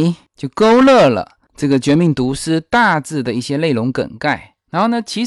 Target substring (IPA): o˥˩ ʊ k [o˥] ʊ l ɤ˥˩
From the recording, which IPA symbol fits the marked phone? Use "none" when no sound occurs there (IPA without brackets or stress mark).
o˥